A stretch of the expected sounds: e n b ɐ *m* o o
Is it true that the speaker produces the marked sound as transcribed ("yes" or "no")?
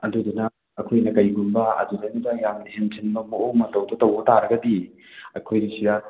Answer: yes